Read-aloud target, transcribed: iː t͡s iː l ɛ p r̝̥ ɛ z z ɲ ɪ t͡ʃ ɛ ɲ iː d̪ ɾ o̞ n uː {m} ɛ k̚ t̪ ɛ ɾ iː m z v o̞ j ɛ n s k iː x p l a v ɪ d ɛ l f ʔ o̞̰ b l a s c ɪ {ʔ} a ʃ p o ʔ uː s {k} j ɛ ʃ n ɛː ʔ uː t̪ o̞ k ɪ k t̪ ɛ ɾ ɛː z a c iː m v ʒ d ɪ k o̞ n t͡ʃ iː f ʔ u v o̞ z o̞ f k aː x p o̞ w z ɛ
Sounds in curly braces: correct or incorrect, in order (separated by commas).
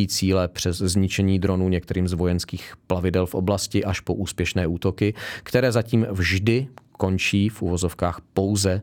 incorrect, correct, incorrect